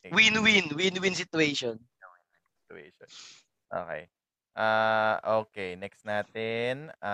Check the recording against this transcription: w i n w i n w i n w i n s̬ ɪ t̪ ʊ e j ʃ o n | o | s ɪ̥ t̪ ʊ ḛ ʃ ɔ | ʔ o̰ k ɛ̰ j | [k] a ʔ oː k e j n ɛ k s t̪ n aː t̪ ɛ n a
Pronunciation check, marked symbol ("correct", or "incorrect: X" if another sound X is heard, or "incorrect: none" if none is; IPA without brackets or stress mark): incorrect: ʔ